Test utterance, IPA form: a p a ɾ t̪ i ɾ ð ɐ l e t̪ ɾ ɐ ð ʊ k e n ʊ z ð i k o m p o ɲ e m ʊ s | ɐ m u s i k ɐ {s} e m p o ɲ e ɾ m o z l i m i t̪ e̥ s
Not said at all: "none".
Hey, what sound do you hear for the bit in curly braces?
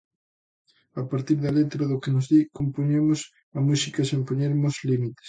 s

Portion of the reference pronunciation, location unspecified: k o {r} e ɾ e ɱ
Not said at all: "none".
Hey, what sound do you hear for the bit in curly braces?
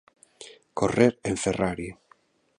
r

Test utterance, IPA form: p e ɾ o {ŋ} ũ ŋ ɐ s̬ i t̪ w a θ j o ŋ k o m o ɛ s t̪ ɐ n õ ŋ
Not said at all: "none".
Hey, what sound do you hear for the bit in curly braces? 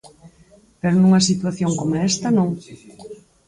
n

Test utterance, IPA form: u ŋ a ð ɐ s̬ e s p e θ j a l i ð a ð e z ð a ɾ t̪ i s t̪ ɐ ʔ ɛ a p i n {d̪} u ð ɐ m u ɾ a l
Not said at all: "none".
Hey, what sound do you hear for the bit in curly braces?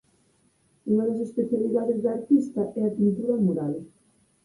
t̪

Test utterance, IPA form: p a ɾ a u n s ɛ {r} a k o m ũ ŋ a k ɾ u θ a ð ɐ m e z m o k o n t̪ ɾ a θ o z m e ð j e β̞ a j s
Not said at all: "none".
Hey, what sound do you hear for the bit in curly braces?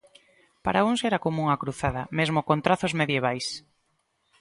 ɾ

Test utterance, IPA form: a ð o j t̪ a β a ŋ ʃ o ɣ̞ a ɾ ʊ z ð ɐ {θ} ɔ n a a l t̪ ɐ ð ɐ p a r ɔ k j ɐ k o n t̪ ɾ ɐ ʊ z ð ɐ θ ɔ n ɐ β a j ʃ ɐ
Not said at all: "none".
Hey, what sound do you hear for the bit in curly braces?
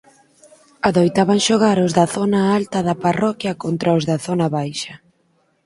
θ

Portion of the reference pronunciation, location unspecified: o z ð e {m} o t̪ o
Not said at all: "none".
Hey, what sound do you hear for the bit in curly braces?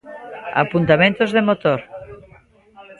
m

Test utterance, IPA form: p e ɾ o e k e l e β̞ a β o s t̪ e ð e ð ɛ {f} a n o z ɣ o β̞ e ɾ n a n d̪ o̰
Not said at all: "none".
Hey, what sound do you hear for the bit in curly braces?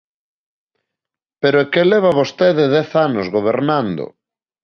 θ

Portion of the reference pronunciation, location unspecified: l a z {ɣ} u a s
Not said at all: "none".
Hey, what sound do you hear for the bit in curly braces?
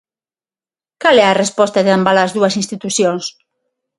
ð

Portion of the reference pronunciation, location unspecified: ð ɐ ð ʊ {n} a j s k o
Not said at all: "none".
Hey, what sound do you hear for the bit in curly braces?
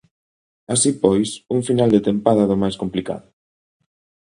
m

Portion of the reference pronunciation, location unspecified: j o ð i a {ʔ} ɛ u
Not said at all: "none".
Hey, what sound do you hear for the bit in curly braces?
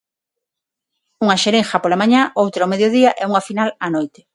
ʔ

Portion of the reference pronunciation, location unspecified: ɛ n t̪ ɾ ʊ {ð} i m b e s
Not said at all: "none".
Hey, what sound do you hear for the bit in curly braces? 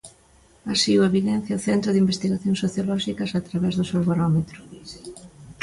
ð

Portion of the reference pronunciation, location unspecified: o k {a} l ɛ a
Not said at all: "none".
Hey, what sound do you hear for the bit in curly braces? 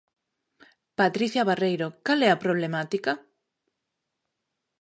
a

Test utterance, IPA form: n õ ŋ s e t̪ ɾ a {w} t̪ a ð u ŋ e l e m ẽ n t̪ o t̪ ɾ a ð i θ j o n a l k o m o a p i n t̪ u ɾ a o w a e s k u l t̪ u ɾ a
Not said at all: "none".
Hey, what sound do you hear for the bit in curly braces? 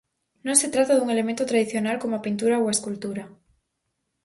none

